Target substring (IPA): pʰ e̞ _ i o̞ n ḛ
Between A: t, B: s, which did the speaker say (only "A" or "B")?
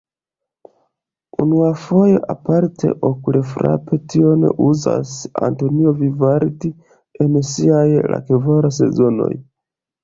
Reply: A